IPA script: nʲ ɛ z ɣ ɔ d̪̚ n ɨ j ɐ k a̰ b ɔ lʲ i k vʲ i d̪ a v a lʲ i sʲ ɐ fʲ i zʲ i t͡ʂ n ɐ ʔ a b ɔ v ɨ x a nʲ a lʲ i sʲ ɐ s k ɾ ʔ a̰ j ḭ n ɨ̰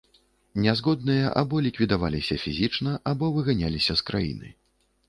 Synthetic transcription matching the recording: nʲ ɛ z ɣ ɔ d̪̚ n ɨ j ɐ ʔ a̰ b ɔ lʲ i k vʲ i d̪ a v a lʲ i sʲ ɐ fʲ i zʲ i t͡ʂ n ɐ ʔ a b ɔ v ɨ ɣ a nʲ a lʲ i sʲ ɐ s k ɾ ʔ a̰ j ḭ n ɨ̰